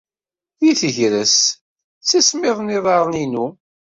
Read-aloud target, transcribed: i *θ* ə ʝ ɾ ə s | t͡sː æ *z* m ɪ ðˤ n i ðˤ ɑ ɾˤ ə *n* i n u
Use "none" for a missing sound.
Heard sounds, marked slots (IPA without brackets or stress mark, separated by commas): θ, s, n